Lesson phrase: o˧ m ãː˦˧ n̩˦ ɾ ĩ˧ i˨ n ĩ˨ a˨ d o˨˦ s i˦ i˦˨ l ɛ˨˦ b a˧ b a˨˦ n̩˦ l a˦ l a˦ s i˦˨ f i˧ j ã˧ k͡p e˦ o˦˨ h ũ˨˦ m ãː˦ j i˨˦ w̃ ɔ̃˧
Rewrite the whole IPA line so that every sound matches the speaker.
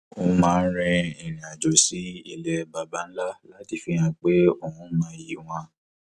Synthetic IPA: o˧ m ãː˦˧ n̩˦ ɾ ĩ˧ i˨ n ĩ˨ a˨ d͡ʒ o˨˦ s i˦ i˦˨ l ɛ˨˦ b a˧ b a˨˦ n̩˦ l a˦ l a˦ t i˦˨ f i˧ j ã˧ k͡p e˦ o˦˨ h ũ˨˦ m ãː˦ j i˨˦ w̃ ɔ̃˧

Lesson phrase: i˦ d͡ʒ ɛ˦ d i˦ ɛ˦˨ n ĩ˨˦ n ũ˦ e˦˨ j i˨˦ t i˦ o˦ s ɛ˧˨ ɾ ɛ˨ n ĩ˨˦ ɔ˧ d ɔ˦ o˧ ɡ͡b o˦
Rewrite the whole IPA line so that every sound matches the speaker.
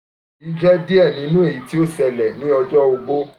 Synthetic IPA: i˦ d͡ʒ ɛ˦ d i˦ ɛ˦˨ n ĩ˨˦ n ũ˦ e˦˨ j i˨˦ t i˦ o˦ s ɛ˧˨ l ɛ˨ n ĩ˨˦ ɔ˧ d͡ʒ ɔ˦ o˧ ɡ͡b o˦

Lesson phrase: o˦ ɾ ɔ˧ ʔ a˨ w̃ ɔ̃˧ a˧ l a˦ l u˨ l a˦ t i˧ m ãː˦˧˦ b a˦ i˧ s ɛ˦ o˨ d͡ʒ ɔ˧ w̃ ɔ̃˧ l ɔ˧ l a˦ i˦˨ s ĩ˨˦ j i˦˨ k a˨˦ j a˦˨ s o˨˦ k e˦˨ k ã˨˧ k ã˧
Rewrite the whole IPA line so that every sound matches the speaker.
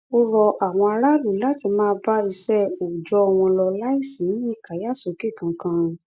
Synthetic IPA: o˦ ɾ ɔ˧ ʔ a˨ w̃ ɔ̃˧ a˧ ɾ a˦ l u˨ l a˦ t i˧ m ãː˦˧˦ b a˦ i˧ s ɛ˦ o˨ d͡ʒ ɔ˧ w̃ ɔ̃˧ l ɔ˧ l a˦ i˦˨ s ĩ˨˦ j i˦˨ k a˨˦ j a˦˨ s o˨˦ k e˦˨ k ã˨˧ k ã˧

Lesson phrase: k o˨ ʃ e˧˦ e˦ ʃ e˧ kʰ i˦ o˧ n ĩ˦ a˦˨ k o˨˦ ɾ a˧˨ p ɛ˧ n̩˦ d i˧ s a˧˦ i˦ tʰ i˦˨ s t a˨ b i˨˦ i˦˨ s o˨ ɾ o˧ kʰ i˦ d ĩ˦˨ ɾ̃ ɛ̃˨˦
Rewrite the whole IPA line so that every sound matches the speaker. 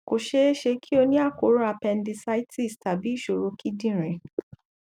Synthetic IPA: k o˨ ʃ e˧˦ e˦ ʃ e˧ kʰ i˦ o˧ n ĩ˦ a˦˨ k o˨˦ ɾ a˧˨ p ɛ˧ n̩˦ d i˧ s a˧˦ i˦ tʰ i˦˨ s t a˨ b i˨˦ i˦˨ ʃ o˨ ɾ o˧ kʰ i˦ d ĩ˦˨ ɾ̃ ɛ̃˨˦

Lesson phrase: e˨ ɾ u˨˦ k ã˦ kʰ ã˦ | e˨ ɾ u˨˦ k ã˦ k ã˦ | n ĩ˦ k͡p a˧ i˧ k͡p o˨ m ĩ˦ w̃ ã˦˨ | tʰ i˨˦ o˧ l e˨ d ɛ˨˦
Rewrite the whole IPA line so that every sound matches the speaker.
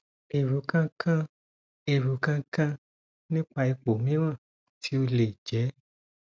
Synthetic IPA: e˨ ɾ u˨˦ k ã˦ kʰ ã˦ | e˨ ɾ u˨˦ k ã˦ k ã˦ | n ĩ˦ k͡p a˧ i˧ k͡p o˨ m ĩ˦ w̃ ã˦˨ | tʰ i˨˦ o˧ l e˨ d͡ʒ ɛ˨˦

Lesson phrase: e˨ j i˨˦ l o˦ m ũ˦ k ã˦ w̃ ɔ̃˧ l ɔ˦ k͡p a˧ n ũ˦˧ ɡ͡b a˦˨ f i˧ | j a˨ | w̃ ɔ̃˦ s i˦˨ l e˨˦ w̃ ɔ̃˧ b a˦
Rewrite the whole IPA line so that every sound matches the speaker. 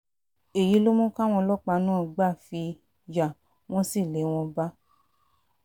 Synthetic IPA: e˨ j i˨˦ l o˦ m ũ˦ k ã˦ w̃ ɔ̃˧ l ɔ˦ k͡p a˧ n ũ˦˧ ɡ͡b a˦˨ f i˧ | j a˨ | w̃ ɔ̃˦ s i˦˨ l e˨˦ w̃ ɔ̃˧ b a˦

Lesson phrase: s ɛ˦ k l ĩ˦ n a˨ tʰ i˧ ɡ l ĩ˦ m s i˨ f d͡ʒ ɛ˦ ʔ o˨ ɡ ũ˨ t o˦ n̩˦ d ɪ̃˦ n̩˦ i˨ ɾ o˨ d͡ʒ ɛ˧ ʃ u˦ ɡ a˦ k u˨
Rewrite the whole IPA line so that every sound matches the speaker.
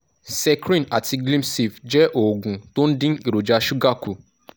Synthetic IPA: s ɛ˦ k ɾ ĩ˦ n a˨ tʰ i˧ ɡ l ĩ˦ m s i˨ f d͡ʒ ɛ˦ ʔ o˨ ɡ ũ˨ t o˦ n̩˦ d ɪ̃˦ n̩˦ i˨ ɾ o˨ d͡ʒ a˧ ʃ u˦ ɡ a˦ k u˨

